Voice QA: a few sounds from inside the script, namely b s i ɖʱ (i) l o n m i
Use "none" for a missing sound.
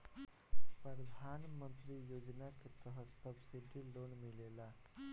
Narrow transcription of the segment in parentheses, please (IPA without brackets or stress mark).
i